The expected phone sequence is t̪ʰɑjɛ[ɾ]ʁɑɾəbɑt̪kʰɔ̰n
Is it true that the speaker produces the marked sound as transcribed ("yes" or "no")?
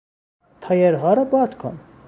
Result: yes